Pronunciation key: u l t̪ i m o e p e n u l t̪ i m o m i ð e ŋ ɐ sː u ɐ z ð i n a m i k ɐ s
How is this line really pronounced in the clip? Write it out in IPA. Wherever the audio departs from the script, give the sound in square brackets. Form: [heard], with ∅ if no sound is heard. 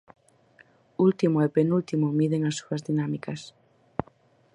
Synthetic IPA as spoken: u l t̪ i m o e p e n u l t̪ i m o m i ð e ŋ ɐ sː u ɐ z ð i n a m i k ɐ s